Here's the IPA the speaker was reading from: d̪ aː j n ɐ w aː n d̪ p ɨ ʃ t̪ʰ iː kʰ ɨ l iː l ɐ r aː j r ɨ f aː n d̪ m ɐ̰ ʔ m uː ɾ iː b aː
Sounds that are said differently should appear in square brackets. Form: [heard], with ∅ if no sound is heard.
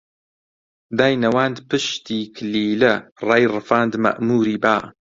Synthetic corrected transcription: d̪ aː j n ɐ w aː n d̪ p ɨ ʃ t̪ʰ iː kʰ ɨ l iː l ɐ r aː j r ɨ f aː n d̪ m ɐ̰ ʔ m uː ɾ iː b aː

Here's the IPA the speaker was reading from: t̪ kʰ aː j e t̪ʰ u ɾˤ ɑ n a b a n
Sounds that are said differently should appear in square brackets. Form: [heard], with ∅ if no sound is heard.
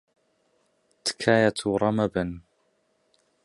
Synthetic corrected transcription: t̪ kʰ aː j [a] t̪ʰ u ɾˤ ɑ [m] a b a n

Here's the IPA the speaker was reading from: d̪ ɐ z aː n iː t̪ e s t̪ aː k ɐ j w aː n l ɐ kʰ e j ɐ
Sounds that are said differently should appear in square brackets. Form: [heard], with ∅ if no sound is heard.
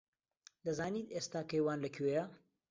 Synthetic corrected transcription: d̪ ɐ z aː n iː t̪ e s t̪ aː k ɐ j w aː n l ɐ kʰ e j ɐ

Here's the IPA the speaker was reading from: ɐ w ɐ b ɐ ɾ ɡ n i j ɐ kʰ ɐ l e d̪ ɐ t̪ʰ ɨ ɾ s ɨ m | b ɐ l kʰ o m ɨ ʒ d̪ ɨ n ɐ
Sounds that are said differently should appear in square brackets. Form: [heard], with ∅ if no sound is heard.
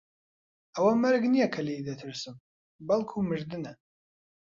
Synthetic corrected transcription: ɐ w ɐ [m] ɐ ɾ ɡ n i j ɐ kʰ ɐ l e d̪ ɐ t̪ʰ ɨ ɾ s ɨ m | b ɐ l kʰ [u] m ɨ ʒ d̪ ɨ n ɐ

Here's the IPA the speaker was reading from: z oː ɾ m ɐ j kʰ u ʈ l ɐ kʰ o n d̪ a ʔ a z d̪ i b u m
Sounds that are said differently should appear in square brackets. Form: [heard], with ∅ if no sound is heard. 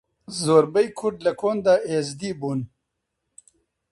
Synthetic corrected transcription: z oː ɾ [b] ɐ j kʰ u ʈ l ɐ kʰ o n d̪ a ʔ [e] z d̪ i b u [n]

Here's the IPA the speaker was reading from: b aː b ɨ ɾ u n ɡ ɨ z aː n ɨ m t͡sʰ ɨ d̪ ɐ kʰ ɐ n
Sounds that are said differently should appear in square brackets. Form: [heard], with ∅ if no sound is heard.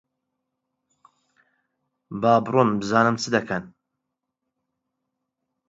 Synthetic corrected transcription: b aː b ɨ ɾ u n [b] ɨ z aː n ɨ m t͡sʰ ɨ d̪ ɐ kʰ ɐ n

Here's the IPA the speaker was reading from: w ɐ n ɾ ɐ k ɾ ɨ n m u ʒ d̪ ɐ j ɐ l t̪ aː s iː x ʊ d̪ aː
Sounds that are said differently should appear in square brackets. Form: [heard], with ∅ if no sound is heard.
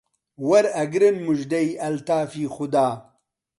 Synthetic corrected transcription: w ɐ [∅] ɾ ɐ [ɡ] ɾ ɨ n m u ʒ d̪ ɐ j ɐ l t̪ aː [f] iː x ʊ d̪ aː

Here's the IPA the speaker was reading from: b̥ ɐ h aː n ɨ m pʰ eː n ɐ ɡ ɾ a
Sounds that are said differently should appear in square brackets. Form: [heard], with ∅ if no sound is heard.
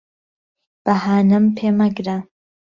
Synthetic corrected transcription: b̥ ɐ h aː n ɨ m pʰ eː [m] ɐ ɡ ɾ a

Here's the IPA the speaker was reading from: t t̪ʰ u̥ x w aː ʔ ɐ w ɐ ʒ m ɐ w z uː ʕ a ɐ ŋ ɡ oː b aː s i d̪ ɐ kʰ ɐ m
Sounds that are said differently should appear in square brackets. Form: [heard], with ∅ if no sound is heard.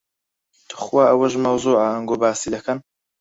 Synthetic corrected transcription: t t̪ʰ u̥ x w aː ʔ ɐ w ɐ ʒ m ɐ w z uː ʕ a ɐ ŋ ɡ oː b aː s i d̪ ɐ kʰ ɐ [n]

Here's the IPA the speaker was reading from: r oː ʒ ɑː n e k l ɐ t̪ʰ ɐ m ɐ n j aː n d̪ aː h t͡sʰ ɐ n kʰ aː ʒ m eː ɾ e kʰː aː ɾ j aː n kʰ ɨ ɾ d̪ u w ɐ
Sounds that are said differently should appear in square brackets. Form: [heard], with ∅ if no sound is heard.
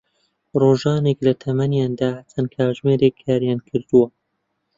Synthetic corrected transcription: r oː ʒ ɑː n e k l ɐ t̪ʰ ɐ m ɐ n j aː n d̪ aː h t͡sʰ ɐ n kʰ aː ʒ m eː ɾ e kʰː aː ɾ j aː n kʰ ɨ ɾ d̪ u w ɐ

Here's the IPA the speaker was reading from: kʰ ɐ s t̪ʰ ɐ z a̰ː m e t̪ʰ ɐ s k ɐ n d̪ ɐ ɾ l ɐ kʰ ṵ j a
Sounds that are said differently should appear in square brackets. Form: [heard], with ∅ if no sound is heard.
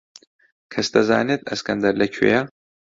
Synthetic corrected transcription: kʰ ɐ s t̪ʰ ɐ z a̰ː [n] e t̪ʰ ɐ s k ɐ n d̪ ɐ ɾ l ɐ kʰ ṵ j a

